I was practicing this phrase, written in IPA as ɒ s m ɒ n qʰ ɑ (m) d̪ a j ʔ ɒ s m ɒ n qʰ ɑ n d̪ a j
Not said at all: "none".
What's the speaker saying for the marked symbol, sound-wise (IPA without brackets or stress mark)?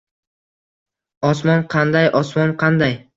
n